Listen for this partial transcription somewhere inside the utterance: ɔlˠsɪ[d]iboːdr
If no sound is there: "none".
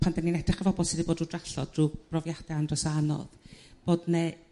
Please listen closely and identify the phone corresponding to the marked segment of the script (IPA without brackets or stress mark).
d